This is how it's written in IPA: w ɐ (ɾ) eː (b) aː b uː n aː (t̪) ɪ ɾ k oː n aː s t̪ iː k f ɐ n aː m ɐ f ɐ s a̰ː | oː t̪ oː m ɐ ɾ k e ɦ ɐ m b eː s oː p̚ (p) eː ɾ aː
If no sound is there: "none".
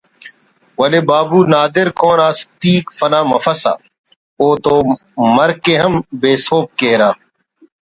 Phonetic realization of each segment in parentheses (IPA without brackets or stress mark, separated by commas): l, b, d̪, k